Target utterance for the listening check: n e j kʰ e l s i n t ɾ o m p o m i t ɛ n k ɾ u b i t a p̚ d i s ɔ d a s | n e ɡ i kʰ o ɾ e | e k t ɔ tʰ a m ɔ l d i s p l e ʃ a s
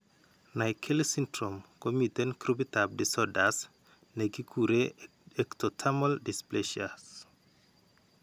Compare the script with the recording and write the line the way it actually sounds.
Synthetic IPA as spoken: n a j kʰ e l s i n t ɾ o m k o m i t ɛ n k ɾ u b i t a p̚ d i s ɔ d a s | n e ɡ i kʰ u ɾ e | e k t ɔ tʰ a m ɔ l d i s p l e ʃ a s